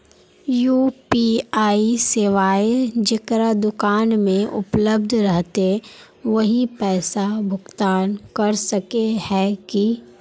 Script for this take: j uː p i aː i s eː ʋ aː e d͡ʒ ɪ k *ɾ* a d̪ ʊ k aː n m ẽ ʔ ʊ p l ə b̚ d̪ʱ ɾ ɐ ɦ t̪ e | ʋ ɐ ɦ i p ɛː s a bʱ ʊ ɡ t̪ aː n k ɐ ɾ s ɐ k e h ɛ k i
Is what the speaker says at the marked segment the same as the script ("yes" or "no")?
yes